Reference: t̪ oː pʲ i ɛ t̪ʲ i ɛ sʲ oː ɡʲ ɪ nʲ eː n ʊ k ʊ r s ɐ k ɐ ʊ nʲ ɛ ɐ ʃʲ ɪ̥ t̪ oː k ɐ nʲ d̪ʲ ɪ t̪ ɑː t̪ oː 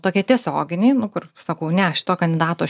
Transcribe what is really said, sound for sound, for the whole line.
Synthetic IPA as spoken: t̪ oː kʲ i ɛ t̪ʲ i ɛ sʲ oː ɡʲ ɪ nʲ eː n ʊ k ʊ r s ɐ k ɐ ʊ nʲ ɛ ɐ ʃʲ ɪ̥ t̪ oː k ɐ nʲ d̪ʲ ɪ d̪ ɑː t̪ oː